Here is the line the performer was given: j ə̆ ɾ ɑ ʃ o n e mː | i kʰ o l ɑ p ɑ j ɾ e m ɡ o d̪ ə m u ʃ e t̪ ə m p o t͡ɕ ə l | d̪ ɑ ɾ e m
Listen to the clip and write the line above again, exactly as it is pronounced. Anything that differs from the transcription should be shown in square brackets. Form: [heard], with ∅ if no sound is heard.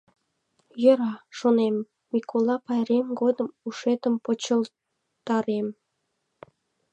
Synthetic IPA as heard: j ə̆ ɾ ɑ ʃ o n e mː | i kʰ o l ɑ p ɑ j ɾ e m ɡ o d̪ ə m u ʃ e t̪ ə m p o t͡ɕ ə l | [t̪] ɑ ɾ e m

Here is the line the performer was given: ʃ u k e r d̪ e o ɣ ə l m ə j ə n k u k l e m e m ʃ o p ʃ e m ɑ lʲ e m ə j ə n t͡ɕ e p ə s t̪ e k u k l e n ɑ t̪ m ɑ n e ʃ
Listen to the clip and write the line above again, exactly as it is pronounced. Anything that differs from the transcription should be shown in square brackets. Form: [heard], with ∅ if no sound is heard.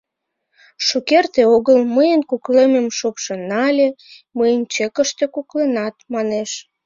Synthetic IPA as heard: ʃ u k e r [t̪] e o ɣ ə l m ə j ə n k u k l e m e m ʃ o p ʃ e [n] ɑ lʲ e m ə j ə n t͡ɕ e [k] ə [ʃ] t̪ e k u k l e n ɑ t̪ m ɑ n e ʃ

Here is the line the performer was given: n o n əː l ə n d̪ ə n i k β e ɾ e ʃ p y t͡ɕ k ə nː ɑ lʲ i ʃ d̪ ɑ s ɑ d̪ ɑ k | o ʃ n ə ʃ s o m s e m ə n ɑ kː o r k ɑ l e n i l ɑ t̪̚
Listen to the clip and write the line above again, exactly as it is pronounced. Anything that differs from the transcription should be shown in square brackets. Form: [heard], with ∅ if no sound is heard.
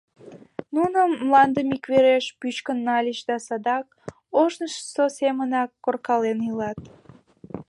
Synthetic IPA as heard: n [u] n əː l [ɑ] n d̪ ə [m] i k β e ɾ e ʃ p y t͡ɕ k ə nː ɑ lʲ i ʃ d̪ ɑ s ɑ d̪ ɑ k | o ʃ n ə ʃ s o [∅] s e m ə n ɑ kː o r k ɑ l e n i l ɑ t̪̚

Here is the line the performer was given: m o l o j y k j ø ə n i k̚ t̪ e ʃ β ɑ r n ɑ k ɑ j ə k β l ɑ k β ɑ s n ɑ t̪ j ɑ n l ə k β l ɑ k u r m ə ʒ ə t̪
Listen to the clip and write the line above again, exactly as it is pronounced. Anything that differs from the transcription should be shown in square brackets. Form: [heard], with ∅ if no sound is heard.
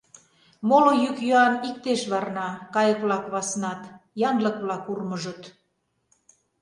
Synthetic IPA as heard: m o l o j y k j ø [ɑ] n i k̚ t̪ e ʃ β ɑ r n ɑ k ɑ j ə k β l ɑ k β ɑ s n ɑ t̪ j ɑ n l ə k β l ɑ k u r m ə ʒ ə t̪

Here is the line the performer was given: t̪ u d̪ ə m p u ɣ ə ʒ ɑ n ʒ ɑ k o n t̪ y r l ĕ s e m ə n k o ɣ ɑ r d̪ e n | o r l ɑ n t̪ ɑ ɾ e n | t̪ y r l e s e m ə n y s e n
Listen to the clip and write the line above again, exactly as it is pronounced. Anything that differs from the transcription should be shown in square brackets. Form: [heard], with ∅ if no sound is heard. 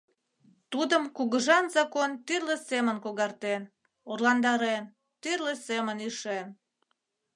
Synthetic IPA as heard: t̪ u d̪ ə m [k] u ɣ ə ʒ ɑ n [z] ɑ k o n t̪ y r l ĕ s e m ə n k o ɣ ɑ r [t̪] e n | o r l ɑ n [d̪] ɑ ɾ e n | t̪ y r l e s e m ə n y [ʃ] e n

